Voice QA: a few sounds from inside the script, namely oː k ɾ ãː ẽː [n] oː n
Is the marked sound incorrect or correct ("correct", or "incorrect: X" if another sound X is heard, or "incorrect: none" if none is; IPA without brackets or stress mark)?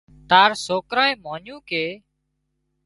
incorrect: m